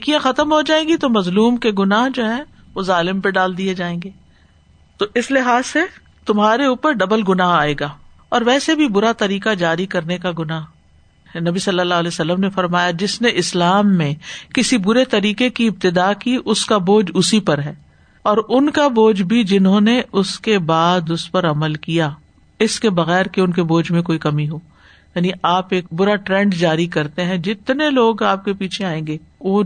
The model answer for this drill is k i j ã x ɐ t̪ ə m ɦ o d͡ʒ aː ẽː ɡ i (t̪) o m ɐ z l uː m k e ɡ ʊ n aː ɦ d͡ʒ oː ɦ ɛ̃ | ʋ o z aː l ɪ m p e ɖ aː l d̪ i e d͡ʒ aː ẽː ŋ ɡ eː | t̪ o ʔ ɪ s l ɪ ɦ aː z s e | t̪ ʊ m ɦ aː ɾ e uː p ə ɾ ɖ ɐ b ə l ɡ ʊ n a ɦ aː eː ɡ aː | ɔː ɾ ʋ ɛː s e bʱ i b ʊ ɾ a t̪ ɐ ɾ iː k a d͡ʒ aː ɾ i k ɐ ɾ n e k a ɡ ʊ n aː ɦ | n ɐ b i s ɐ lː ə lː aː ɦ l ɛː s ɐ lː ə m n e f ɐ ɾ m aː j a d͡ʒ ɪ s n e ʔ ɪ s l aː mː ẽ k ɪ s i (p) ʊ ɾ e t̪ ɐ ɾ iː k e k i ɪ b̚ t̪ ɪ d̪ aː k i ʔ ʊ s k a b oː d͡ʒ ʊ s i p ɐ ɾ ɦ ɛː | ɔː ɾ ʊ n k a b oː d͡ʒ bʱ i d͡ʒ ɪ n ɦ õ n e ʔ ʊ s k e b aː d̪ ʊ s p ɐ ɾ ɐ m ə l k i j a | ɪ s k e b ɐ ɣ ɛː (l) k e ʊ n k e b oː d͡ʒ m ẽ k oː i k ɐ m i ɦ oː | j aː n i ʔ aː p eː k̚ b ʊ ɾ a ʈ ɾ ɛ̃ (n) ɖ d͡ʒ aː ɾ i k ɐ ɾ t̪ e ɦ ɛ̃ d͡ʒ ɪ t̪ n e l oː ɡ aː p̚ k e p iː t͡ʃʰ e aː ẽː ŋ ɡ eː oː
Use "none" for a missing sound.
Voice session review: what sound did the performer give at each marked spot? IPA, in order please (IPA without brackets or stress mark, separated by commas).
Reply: t̪, b, ɾ, ɳ